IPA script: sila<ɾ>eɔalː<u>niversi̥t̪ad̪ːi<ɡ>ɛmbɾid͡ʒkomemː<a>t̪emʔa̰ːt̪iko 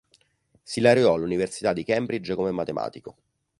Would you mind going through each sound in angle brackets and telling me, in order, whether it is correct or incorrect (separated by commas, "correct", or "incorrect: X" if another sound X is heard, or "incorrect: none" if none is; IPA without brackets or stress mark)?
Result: correct, correct, incorrect: k, correct